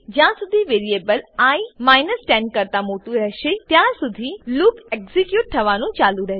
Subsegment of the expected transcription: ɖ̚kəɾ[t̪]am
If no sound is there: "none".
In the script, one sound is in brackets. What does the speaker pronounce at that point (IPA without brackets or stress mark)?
t̪